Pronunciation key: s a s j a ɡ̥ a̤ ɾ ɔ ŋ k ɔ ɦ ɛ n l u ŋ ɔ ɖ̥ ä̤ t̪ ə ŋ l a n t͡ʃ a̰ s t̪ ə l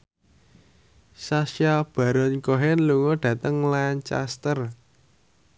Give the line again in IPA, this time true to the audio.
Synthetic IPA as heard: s a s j a b̥ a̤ ɾ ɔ n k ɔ ɦ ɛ n l u ŋ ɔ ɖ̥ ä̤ t̪ ə ŋ l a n t͡ʃ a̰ s t̪ ə r